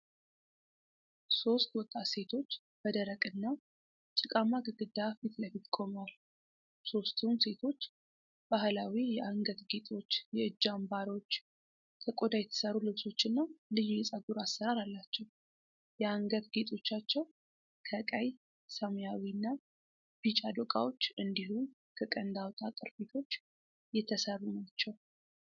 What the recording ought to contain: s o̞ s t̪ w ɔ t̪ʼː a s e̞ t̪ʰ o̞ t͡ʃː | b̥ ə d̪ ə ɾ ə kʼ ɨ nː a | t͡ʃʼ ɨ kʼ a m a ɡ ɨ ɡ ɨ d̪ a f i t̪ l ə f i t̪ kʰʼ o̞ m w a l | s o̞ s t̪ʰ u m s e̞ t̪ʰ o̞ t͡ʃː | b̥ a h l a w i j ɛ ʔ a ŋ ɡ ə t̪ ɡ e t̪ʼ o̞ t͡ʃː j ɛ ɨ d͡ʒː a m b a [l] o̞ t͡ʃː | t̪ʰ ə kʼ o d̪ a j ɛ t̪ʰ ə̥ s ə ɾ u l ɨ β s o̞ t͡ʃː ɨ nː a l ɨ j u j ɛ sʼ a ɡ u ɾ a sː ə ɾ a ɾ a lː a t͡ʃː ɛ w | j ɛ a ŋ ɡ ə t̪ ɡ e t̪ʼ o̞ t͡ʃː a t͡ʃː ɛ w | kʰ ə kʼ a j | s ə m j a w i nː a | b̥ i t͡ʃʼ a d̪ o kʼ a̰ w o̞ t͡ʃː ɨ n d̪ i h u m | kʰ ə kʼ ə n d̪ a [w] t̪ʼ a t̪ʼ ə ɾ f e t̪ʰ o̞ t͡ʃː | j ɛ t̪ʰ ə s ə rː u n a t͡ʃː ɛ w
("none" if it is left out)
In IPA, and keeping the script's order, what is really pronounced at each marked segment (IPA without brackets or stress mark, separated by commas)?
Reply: ɾ, w